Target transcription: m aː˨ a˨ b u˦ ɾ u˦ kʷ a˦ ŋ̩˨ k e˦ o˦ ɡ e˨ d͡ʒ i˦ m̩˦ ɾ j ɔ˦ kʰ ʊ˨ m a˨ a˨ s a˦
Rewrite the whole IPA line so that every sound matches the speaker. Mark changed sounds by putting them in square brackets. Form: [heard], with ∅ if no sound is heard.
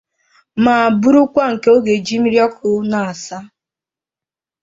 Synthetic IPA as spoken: m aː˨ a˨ b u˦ ɾ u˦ kʷ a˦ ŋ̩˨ k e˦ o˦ ɡ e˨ d͡ʒ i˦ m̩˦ ɾ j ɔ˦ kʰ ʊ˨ [n] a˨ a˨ s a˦